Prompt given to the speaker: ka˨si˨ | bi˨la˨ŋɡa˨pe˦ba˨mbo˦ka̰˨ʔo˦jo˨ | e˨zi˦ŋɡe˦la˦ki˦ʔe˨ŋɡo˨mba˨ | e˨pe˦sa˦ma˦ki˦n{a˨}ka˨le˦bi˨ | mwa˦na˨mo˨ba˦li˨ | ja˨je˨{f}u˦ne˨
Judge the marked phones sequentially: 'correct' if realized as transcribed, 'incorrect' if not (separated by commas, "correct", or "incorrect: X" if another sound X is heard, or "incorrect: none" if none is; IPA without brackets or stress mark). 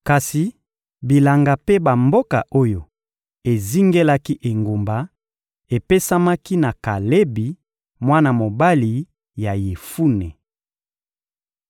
correct, correct